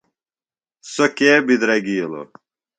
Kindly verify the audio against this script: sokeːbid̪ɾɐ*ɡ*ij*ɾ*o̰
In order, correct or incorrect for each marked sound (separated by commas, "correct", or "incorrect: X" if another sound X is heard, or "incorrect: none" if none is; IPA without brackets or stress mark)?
correct, incorrect: l